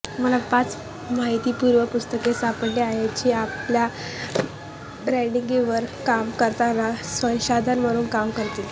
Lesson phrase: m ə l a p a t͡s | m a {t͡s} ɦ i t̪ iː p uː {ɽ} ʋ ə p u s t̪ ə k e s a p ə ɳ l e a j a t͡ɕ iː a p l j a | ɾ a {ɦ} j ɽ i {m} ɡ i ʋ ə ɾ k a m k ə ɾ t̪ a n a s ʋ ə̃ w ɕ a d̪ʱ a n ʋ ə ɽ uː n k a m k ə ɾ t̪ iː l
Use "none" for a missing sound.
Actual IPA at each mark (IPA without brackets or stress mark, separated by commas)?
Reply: none, ɾ, none, ŋ